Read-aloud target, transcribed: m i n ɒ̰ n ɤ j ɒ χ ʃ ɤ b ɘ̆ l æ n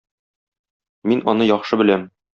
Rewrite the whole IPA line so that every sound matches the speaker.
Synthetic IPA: m i n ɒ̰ n ɤ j ɒ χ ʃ ɤ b ɘ̆ l æ m

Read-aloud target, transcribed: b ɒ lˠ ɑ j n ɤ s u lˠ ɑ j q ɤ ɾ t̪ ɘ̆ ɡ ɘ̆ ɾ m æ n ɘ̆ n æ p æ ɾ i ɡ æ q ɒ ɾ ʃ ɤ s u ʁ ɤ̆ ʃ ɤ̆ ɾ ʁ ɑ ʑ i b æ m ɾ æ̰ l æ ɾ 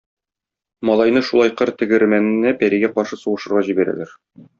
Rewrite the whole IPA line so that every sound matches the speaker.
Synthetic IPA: m ɒ lˠ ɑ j n ɤ ʃ u lˠ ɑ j q ɤ ɾ t̪ ɘ̆ ɡ ɘ̆ ɾ m æ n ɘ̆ n æ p æ ɾ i ɡ æ q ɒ ɾ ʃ ɤ s u ʁ ɤ̆ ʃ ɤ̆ ɾ ʁ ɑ ʑ i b æ ɾ æ̰ l æ ɾ

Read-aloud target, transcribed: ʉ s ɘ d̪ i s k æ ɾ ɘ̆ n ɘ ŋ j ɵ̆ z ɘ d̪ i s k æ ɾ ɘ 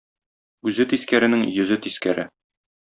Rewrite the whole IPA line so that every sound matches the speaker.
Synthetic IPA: ʉ z ɘ t̪ i s k æ ɾ ɘ̆ n ɘ ŋ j ɵ̆ z ɘ t̪ i s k æ ɾ ɘ

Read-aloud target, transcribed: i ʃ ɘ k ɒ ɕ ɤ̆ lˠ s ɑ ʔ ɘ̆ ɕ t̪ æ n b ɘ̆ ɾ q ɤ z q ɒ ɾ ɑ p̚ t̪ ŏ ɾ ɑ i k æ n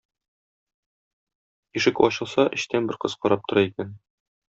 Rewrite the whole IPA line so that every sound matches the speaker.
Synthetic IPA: i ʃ ɘ k ɒ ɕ ɤ̆ lˠ s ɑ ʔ ɘ̆ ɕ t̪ æ n b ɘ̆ ɾ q ɤ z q ɒ ɾ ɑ p̚ t̪ ŏ ɾ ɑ i k æ n

